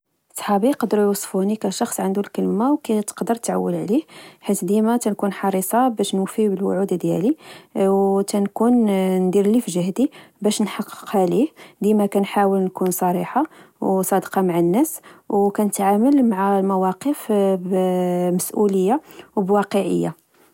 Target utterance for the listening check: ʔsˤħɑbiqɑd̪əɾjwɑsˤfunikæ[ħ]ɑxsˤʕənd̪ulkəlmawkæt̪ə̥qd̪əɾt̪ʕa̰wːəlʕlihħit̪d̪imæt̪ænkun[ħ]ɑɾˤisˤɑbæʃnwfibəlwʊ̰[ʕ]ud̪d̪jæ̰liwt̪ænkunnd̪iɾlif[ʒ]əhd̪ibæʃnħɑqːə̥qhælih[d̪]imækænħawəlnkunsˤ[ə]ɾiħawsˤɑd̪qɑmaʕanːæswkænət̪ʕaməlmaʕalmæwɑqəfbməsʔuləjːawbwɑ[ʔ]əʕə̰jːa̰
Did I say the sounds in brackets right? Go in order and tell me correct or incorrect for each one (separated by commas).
incorrect, correct, correct, correct, correct, incorrect, incorrect